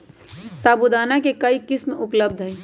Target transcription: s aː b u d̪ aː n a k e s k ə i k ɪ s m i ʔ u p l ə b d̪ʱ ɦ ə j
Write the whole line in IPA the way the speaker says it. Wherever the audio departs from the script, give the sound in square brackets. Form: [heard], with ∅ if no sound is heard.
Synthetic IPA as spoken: s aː b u d̪ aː n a k e [∅] k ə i k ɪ s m [e] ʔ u p l ə b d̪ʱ ɦ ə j